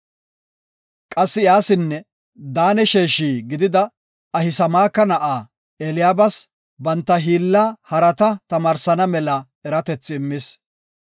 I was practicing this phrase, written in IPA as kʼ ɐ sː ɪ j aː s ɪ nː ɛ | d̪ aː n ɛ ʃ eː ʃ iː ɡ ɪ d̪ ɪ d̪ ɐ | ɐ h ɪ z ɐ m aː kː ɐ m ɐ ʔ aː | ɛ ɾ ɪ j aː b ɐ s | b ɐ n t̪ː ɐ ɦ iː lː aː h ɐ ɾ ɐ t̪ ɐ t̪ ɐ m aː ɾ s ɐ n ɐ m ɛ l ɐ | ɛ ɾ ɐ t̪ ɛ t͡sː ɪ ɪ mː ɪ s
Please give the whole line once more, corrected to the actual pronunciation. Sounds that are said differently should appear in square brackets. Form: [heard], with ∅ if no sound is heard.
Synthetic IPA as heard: kʼ ɐ sː ɪ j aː s ɪ nː ɛ | d̪ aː n ɛ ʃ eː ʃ iː ɡ ɪ d̪ ɪ d̪ ɐ | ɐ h ɪ [s] ɐ m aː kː ɐ [n] ɐ ʔ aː | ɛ [l] ɪ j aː b ɐ s | b ɐ n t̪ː ɐ ɦ iː lː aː h ɐ ɾ ɐ t̪ ɐ t̪ ɐ m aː ɾ s ɐ n ɐ m ɛ l ɐ | ɛ ɾ ɐ t̪ ɛ t͡sː ɪ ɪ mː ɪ s